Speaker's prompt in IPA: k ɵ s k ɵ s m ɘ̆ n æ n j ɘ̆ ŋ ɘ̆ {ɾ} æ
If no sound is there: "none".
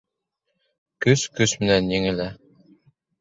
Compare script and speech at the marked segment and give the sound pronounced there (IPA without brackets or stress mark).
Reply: l